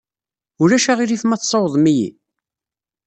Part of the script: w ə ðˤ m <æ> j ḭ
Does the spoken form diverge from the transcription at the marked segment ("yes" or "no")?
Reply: yes